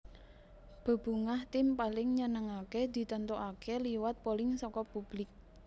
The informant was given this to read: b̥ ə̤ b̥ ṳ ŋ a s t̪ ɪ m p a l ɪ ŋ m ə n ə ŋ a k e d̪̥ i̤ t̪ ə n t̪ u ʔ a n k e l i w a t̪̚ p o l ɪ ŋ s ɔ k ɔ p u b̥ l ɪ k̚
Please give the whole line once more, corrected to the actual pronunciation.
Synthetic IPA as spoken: b̥ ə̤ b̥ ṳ ŋ a h t̪ ɪ m p a l ɪ ŋ ɲ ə n ə ŋ a k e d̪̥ i̤ t̪ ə n t̪ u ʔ a k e l i w a t̪̚ p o l ɪ ŋ s ɔ k ɔ p u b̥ l ɪ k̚